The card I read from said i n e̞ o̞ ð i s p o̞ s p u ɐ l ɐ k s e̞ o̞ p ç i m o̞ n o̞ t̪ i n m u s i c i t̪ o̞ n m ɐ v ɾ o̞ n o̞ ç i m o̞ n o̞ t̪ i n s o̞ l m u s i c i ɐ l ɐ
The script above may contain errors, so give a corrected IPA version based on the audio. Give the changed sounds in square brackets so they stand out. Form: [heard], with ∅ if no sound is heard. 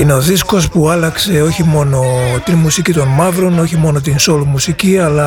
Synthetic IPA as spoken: i n e̞ o̞ ð i s [k] o̞ s p u ɐ l ɐ k s e̞ o̞ [∅] ç i m o̞ n o̞ t̪ i n m u s i c i t̪ o̞ n m ɐ v ɾ o̞ n o̞ ç i m o̞ n o̞ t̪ i n s o̞ l m u s i c i ɐ l ɐ